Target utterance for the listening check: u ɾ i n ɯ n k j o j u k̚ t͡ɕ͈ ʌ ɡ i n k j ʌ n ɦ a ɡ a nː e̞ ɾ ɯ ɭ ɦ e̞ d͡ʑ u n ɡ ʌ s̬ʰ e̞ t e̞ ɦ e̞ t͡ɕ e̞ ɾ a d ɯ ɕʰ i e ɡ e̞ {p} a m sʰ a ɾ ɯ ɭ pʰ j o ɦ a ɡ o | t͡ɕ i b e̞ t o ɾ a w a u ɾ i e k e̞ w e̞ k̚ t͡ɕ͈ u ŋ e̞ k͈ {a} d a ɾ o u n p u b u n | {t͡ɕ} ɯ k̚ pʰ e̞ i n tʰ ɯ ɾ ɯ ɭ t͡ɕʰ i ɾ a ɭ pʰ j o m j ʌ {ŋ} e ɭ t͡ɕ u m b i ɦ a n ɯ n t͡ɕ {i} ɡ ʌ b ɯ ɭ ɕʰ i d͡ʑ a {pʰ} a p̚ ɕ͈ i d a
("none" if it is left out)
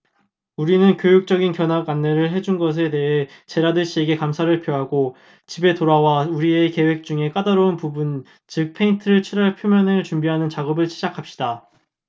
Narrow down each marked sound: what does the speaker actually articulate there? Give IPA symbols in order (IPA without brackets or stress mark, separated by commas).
k, a, t͡ɕ, n, a, kʰ